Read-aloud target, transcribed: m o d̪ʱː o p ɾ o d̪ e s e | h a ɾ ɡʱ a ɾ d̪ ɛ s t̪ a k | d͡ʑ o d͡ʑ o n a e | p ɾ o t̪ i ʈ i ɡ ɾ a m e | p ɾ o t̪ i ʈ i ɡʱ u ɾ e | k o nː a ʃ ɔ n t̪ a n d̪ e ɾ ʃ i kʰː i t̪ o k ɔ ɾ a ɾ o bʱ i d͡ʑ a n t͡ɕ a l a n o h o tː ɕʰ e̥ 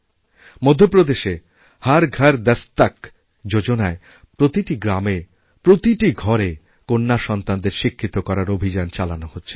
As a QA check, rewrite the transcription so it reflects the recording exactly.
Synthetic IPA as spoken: m o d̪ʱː o p ɾ o d̪ e ʃ e | h a ɾ ɡʱ a ɾ d̪ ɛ s t̪ a k | d͡ʑ o d͡ʑ o n a e | p ɾ o t̪ i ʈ i ɡ ɾ a m e | p ɾ o t̪ i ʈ i ɡʱ ɔ ɾ e | k o nː a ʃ ɔ n t̪ a n d̪ e ɾ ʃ i kʰː i t̪ o k ɔ ɾ a ɾ o bʱ i d͡ʑ a n t͡ɕ a l a n o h o tː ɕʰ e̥